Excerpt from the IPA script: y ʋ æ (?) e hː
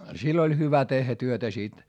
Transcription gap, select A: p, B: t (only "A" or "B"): B